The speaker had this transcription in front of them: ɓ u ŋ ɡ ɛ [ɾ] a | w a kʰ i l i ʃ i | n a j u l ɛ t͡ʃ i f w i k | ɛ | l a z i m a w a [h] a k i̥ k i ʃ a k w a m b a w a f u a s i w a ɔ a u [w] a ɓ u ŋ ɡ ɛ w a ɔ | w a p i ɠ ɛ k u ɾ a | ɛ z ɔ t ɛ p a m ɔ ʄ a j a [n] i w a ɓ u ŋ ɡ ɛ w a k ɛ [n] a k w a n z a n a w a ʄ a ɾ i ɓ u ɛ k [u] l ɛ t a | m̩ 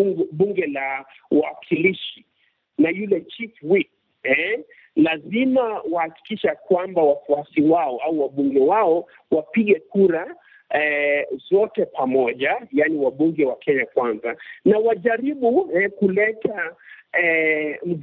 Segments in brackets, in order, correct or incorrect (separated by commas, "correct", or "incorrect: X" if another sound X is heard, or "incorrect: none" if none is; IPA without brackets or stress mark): incorrect: l, correct, correct, correct, incorrect: ɲ, correct